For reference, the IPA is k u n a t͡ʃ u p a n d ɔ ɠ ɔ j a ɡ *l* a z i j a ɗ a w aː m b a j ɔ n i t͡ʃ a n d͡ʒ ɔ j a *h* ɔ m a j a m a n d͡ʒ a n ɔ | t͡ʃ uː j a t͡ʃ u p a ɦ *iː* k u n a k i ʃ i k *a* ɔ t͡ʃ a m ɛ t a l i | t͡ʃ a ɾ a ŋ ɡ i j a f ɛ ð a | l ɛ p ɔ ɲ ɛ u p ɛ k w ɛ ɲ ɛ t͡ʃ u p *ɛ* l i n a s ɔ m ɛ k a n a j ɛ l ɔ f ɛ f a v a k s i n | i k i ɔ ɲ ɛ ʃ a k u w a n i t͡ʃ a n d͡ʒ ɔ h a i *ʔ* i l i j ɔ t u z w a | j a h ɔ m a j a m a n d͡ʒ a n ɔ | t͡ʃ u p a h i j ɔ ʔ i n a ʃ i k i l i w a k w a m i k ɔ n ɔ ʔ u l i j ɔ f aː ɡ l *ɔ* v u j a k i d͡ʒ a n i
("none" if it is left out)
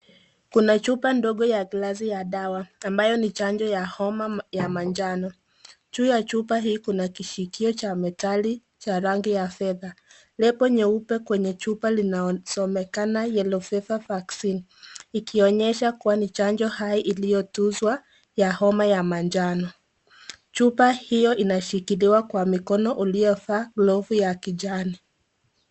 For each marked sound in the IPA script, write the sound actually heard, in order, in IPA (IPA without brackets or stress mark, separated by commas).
l, h, iː, i, a, ʔ, ɔ